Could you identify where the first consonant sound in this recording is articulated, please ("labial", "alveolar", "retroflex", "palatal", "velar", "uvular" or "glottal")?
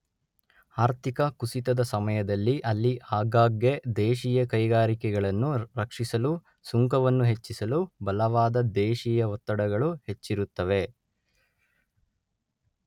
alveolar